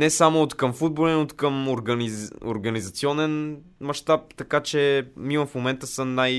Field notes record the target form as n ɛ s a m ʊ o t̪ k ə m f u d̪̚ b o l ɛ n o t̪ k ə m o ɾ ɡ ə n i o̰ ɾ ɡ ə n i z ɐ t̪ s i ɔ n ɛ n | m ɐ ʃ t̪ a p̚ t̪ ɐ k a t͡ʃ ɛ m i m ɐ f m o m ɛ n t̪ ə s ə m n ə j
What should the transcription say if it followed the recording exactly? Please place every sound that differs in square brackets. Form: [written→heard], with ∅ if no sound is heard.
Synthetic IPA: n ɛ s a m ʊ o t̪ k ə m f u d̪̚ b o l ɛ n o t̪ k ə m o ɾ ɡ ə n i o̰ ɾ ɡ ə n i z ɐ t̪ s i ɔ n ɛ n | m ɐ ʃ t̪ a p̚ t̪ ɐ k a t͡ʃ ɛ m i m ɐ f m o m ɛ n t̪ ə s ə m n [ə→a] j